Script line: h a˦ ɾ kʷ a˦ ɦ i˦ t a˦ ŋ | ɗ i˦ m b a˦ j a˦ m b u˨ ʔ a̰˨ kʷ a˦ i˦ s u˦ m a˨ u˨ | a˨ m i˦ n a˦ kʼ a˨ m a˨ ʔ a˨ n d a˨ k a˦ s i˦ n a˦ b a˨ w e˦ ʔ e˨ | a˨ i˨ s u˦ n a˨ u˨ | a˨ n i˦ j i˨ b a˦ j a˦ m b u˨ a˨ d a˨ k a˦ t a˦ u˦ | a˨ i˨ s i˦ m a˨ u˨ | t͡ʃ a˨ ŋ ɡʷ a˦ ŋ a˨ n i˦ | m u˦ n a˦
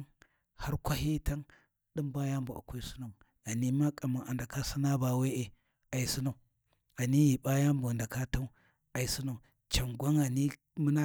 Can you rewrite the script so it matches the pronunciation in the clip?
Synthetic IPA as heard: h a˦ ɾ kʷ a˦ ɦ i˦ t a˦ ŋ | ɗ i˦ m b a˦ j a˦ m b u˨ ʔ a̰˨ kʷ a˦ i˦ s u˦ n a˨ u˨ | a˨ n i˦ m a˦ kʼ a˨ m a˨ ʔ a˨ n d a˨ k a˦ s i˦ n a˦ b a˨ w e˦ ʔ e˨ | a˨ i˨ s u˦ n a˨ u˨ | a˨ n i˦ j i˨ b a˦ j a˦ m b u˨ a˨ d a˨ k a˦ t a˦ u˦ | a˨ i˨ s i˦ n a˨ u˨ | t͡ʃ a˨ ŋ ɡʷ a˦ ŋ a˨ n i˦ | m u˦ n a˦